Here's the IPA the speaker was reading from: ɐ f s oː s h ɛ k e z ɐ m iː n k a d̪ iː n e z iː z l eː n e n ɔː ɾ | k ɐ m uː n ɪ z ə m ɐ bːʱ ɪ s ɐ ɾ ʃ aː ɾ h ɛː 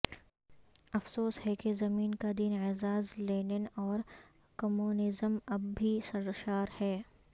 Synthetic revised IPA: ɐ f s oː s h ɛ k e z ɐ m iː n k a d̪ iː n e z aː z l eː n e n ɔː ɾ | k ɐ m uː n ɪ z ə m ɐ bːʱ i s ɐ ɾ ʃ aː ɾ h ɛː